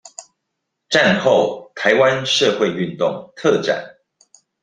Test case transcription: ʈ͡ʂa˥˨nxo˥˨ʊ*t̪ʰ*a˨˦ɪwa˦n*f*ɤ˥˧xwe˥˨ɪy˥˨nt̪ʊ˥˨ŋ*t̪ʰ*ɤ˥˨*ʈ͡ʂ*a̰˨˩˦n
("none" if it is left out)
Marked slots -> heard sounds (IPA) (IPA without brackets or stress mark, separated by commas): t̪ʰ, ʂ, t̪ʰ, ʈ͡ʂ